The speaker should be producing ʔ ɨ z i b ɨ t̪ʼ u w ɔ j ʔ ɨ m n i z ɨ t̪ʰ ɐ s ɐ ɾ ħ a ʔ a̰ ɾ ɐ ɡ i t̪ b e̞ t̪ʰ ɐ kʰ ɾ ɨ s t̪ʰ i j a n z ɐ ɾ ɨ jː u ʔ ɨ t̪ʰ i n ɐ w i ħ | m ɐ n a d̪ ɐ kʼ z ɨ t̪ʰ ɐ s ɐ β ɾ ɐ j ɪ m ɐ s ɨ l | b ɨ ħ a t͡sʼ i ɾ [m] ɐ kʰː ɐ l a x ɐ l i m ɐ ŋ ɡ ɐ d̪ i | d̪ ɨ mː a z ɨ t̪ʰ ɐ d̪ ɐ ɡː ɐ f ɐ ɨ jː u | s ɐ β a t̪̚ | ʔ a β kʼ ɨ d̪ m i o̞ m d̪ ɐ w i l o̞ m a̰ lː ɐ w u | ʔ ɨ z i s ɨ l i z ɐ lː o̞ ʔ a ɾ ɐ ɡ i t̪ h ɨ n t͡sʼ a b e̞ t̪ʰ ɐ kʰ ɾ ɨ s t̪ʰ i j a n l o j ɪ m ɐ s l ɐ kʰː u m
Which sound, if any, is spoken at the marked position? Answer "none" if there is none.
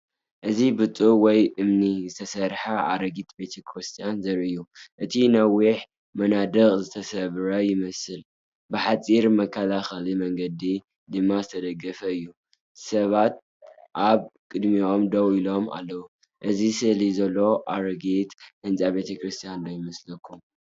m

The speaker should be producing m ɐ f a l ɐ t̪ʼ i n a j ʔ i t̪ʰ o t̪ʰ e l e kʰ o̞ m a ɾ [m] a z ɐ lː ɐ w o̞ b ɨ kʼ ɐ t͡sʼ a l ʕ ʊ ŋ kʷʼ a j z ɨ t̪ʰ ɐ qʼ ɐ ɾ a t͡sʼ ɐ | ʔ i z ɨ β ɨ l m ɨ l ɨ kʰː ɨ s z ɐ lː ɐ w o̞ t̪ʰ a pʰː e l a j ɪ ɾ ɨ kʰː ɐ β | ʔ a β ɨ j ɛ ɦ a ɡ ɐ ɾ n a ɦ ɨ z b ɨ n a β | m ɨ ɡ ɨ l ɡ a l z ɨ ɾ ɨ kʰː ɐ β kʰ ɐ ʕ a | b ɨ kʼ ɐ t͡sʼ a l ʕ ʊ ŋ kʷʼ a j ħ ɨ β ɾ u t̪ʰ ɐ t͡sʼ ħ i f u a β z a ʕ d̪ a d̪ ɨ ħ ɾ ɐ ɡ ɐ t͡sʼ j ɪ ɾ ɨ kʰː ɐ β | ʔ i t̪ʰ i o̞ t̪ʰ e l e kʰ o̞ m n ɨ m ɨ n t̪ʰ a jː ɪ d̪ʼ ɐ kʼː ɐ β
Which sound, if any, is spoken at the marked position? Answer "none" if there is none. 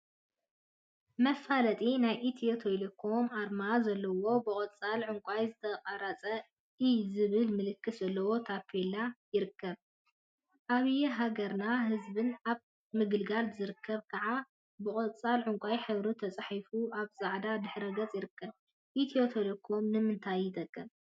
m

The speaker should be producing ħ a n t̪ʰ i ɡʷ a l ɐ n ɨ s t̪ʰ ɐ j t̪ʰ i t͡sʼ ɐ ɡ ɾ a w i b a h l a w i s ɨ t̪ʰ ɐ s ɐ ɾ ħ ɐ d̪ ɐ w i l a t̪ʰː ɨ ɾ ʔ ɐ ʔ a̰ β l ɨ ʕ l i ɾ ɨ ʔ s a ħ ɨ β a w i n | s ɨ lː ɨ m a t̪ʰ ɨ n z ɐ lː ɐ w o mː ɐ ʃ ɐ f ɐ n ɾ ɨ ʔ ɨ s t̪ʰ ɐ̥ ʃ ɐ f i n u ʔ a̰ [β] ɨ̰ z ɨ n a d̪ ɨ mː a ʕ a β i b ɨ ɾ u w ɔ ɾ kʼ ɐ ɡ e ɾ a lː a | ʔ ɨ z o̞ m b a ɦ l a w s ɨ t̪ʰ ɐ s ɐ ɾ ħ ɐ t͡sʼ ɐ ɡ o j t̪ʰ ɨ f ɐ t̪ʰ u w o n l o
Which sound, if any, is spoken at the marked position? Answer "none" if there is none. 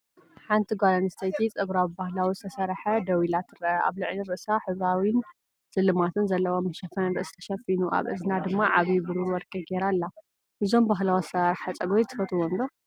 β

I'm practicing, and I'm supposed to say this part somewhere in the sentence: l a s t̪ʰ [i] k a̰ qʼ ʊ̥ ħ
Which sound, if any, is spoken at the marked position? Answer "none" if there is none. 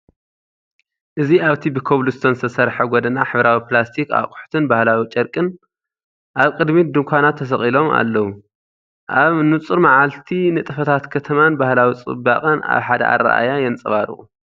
i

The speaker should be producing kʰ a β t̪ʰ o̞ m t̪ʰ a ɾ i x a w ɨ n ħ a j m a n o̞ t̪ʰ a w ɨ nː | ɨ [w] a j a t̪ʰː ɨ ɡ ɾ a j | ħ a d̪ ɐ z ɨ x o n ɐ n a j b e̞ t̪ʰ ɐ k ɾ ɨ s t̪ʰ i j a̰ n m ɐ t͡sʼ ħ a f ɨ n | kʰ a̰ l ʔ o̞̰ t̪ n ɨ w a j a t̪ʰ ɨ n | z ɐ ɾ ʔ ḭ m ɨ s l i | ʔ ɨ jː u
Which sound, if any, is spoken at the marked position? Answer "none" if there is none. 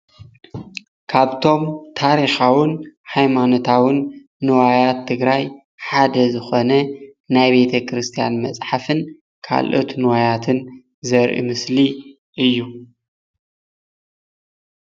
w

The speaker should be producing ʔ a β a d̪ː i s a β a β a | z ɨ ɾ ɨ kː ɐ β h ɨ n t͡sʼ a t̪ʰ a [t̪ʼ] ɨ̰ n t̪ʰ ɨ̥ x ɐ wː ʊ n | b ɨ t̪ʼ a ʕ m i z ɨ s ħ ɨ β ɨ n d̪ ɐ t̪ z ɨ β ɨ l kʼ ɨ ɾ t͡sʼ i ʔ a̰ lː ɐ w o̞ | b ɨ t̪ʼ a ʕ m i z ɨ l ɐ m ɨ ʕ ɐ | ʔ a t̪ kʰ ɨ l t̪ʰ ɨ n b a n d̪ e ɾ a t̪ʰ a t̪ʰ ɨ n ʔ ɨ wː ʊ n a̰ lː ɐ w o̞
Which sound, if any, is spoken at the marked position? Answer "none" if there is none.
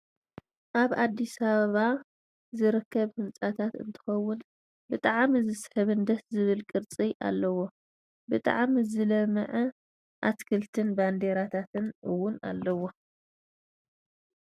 t̪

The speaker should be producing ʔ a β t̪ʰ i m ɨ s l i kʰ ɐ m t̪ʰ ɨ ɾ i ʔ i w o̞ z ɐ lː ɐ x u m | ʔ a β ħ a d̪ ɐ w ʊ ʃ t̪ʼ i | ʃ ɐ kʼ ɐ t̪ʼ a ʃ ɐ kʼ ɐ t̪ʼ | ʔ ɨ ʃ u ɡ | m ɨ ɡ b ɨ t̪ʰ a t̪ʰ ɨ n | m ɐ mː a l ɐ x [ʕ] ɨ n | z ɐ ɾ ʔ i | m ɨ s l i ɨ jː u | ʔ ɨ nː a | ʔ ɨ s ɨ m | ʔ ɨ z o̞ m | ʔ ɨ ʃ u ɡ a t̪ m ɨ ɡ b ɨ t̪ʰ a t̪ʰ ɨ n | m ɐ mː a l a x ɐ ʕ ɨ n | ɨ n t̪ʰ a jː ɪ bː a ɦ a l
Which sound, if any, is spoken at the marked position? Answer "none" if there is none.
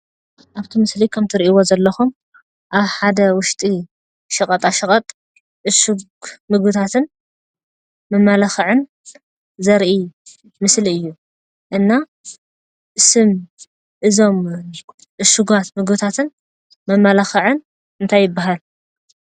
ʕ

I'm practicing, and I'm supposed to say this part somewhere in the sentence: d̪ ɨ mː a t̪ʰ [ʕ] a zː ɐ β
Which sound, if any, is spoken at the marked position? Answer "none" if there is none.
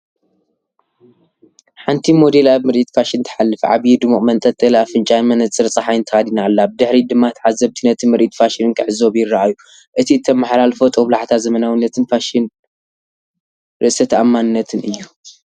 ʕ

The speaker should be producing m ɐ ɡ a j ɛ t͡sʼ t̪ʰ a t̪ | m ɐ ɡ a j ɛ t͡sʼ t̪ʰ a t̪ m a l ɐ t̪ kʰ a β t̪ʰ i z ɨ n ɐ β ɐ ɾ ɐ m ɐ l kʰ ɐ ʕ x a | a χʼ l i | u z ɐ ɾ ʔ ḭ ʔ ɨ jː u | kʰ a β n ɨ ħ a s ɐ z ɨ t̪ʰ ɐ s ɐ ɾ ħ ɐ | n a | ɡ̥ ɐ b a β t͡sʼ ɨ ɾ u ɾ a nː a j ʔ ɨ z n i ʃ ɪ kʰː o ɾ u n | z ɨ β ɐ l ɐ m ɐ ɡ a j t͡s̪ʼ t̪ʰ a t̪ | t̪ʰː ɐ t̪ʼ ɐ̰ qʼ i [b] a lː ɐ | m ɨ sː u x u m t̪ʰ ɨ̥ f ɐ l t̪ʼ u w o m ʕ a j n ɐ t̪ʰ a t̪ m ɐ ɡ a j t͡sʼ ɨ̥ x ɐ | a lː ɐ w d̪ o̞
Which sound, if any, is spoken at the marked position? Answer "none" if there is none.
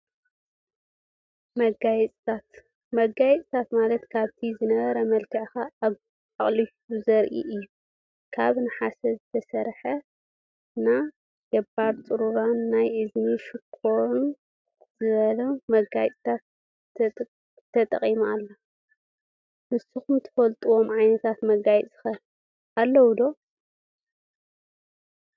m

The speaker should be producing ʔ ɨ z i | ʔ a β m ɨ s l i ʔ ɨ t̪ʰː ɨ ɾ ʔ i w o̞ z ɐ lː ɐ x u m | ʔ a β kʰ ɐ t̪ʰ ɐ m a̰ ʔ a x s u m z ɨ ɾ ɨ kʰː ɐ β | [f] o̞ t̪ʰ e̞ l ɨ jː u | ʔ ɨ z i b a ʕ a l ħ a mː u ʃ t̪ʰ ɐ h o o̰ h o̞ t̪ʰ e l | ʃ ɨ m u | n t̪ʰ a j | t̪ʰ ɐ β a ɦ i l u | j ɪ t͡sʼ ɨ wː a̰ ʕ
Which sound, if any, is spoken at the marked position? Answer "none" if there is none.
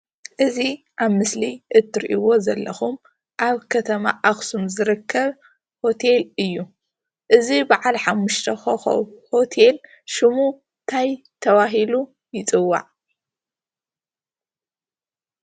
h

